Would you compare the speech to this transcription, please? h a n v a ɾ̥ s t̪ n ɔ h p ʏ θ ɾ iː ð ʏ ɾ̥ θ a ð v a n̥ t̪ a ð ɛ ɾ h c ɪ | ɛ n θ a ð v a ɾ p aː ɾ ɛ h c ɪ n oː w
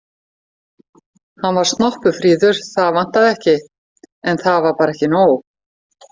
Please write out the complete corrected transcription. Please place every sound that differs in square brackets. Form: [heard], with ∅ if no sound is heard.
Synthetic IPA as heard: h a n v a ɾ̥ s t̪ n ɔ h p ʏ [f] ɾ iː ð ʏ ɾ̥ θ a ð v a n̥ t̪ a ð ɛ [∅] h c ɪ | ɛ n θ a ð v a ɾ p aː ɾ ɛ h c ɪ n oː w